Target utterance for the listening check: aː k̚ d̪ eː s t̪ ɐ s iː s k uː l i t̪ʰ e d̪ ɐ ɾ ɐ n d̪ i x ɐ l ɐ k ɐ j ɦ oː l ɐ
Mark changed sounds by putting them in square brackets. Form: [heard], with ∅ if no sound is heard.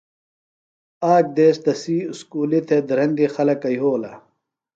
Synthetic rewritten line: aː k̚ d̪ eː s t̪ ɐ s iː s k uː l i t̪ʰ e d̪ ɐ ɾ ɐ n d̪ i x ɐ l ɐ k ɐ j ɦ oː l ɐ